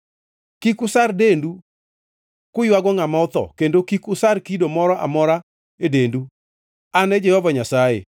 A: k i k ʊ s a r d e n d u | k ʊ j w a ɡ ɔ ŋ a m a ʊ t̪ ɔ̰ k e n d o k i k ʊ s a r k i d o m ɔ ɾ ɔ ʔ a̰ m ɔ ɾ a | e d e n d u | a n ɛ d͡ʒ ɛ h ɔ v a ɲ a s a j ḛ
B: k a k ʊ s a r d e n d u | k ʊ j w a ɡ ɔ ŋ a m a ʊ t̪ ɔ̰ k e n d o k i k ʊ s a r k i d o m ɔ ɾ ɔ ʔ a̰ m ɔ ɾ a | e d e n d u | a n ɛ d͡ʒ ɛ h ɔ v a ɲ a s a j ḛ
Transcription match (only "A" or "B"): A